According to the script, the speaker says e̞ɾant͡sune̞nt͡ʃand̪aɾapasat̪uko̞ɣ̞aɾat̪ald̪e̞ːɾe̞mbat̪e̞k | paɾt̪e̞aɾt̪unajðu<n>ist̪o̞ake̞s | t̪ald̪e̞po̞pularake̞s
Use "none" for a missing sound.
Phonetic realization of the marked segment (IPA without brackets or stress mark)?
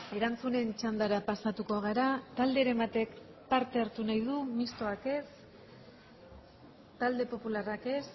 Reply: m